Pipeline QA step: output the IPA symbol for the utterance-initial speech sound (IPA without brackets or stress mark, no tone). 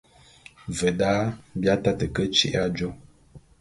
v